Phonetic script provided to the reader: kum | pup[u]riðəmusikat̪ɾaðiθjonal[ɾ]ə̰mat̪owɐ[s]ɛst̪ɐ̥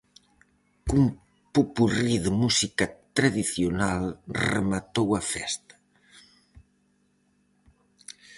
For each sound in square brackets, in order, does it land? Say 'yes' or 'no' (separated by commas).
yes, no, no